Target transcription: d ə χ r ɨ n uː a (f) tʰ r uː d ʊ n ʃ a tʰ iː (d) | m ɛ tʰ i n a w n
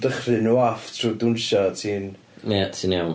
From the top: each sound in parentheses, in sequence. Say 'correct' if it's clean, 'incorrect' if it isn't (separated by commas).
correct, incorrect